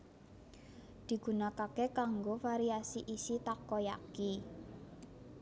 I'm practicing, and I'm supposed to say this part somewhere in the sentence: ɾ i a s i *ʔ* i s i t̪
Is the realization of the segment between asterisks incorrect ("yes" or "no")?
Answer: no